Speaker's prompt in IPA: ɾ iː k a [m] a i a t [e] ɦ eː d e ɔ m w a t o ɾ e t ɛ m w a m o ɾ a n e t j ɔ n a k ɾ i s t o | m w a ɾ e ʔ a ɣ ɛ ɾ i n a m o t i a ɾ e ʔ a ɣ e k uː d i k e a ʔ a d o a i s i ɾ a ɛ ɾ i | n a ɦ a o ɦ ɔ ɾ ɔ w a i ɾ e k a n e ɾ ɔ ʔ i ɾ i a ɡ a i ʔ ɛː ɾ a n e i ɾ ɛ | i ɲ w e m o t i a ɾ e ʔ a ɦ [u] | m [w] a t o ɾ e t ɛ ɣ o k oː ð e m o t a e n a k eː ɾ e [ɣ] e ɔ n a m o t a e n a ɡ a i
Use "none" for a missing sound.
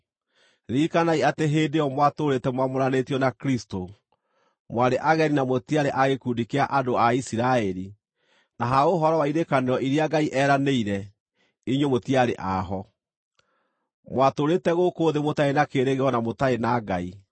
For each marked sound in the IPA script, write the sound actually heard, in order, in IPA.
n, e, ɔ, w, ɣ

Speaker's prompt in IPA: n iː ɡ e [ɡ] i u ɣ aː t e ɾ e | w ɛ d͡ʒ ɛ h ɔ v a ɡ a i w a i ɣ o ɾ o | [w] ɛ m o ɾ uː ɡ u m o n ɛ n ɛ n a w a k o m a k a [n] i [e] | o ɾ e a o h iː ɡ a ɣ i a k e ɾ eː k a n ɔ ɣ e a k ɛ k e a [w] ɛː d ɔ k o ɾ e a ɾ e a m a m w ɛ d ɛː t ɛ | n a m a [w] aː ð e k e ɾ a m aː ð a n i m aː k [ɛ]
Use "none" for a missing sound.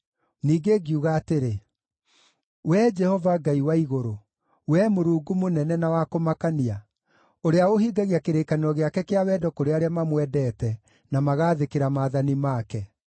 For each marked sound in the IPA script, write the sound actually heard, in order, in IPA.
ɡ, w, n, a, w, ɣ, ɛ

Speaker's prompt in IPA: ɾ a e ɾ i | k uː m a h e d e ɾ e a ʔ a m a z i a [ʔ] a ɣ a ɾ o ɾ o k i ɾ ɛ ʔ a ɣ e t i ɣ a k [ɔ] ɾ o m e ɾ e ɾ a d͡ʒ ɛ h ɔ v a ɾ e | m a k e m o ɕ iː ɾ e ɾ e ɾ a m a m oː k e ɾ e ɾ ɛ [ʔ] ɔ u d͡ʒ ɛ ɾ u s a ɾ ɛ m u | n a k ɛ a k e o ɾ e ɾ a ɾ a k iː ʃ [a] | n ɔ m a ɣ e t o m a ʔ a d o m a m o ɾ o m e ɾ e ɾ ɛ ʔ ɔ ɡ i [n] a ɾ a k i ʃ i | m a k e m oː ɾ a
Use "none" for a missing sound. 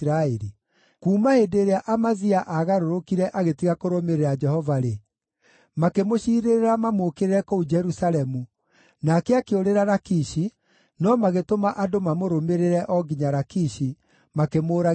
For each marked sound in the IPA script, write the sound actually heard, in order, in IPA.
ʔ, o, k, i, ɲ

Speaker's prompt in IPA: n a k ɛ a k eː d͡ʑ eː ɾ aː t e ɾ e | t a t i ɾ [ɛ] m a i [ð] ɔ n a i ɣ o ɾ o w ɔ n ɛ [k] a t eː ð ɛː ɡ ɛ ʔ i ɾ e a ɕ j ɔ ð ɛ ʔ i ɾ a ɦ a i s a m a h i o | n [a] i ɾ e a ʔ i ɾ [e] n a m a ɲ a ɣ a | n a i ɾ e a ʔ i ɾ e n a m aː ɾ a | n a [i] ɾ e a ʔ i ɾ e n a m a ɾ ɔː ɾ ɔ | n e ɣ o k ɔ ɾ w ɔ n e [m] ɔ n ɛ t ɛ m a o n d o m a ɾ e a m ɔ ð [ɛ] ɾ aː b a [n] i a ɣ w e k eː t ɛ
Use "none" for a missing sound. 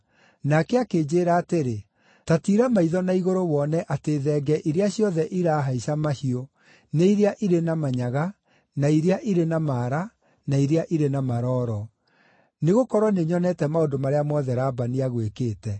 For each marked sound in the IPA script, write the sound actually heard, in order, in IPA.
a, ð, ʔ, e, e, i, ɲ, ɛ, n

